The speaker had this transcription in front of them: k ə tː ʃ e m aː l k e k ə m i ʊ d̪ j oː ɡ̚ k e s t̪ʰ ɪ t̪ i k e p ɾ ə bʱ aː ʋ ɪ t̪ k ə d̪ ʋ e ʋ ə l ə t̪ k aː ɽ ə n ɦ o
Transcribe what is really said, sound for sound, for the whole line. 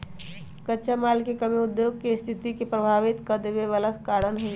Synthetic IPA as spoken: k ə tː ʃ a m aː l k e k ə m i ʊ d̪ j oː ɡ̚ k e s t̪ʰ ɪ t̪ i k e p ɾ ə bʱ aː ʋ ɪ t̪ k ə d̪ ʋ e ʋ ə l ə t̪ k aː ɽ ə n ɦ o